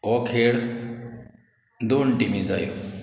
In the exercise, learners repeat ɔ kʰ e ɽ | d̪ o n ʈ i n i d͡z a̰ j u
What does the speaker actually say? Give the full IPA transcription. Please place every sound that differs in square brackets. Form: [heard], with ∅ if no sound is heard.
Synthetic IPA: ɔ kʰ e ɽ | d̪ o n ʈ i [m] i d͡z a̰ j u